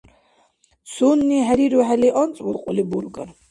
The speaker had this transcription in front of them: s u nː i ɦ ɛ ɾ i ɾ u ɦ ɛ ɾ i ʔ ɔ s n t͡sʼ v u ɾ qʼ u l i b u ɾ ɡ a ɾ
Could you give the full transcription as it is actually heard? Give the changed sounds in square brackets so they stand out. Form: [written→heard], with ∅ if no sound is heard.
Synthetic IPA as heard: s u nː i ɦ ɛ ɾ i ɾ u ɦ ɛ [ɾ→l] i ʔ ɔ [s→∅] n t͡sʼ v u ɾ qʼ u l i b u ɾ ɡ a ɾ